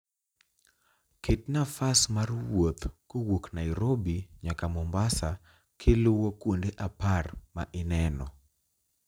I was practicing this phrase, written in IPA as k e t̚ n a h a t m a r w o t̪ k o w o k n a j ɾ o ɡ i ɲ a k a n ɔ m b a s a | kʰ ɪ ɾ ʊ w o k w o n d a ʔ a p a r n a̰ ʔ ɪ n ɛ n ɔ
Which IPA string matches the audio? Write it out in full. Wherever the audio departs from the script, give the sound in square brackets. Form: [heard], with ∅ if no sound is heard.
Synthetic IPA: k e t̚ n a [f] a [s] m a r w o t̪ k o w o k n a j ɾ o [b] i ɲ a k a [m] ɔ m b a s a | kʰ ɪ [l] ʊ w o k w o n d [e] ʔ a p a r [m] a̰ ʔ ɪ n ɛ n ɔ